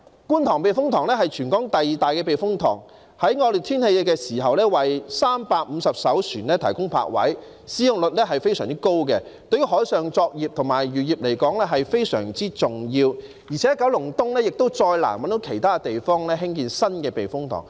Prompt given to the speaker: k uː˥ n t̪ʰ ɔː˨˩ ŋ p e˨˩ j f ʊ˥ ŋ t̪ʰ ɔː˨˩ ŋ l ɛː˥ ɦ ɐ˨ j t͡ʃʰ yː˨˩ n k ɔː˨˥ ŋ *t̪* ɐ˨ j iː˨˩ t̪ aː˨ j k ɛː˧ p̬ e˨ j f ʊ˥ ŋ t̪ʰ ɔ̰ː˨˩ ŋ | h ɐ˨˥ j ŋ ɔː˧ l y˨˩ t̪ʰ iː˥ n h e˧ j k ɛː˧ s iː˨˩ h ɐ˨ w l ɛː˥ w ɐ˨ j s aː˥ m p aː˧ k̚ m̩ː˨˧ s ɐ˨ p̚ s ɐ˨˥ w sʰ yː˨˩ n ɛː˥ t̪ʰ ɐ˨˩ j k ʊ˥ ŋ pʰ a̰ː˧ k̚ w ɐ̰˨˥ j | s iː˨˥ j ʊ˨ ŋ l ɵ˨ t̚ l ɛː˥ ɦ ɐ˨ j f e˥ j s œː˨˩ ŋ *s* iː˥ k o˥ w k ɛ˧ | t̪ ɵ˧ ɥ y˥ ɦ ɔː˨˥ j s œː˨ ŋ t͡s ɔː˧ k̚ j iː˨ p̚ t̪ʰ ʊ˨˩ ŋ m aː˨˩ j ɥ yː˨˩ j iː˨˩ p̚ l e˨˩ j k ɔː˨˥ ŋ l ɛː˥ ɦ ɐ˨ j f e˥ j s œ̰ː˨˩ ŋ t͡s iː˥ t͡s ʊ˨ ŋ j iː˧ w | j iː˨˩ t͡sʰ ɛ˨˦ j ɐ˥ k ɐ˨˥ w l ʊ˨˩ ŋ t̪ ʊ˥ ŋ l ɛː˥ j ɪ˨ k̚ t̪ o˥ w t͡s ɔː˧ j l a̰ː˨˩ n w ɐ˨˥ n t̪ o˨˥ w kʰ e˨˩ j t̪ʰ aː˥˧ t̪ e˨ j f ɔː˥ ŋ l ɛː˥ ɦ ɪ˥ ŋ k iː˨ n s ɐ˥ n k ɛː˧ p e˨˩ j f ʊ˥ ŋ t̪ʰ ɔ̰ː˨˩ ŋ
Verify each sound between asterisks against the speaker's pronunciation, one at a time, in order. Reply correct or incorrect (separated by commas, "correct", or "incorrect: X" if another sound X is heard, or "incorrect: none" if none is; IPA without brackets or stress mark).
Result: correct, incorrect: t͡s